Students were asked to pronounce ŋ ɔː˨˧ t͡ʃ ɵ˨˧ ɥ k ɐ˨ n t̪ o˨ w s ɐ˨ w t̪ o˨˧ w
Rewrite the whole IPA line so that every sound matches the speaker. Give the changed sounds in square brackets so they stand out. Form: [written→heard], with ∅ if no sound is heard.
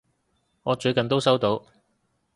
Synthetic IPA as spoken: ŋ ɔː˨˧ t͡ʃ ɵ˨˧ ɥ k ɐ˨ n t̪ [o˨→o˥] w s [ɐ˨→ɐ˥] w t̪ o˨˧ w